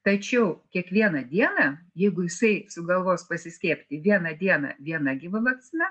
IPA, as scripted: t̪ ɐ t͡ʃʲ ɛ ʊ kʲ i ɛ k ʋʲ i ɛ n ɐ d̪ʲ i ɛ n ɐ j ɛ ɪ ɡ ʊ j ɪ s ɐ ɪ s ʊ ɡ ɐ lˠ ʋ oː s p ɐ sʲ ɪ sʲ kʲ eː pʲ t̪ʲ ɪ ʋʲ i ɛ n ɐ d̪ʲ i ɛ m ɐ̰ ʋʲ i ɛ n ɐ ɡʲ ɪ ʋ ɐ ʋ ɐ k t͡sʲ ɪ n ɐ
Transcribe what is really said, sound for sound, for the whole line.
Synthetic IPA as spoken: t̪ ɐ t͡ʃʲ ɛ ʊ kʲ i ɛ k ʋʲ i ɛ n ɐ d̪ʲ i ɛ n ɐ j ɛ ɪ ɡ ʊ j ɪ s ɐ ɪ s ʊ ɡ ɐ lˠ ʋ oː s p ɐ sʲ ɪ sʲ kʲ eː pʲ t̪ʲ ɪ ʋʲ i ɛ n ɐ d̪ʲ i ɛ n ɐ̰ ʋʲ i ɛ n ɐ ɡʲ ɪ ʋ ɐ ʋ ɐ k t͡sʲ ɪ n ɐ